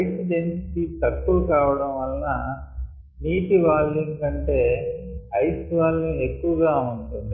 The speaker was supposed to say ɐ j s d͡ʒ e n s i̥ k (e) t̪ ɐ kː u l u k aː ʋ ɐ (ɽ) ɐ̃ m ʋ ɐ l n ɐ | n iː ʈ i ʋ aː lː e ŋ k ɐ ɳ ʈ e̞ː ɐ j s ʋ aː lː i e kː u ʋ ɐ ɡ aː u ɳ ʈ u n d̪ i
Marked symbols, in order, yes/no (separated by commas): no, yes